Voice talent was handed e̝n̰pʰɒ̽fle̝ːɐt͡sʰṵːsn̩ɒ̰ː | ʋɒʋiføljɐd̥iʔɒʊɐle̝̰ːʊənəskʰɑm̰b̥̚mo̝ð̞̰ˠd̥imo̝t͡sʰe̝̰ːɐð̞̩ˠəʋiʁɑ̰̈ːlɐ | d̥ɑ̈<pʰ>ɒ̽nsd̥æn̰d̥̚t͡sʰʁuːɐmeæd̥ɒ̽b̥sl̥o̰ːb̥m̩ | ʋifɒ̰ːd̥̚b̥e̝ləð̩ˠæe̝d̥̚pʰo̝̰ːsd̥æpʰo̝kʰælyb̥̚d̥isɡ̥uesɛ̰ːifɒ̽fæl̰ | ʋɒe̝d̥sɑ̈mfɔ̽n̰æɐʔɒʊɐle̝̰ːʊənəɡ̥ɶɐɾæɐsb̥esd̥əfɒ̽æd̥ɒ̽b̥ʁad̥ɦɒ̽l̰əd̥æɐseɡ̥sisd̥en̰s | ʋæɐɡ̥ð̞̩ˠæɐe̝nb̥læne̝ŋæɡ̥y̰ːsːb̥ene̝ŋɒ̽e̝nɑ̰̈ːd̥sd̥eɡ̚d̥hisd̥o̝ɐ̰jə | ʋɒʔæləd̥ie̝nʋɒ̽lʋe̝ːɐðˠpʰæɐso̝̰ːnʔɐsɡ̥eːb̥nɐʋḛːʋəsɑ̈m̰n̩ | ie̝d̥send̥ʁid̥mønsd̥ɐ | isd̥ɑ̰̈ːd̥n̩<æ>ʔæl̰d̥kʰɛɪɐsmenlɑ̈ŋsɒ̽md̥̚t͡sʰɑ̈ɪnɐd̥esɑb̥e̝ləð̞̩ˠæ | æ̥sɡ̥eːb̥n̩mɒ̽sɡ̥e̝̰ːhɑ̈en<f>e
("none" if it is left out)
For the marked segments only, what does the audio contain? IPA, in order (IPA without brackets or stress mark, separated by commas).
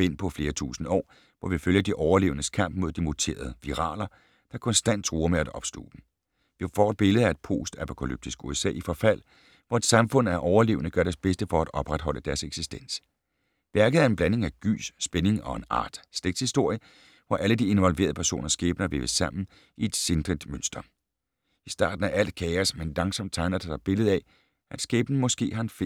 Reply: kʰ, æ, f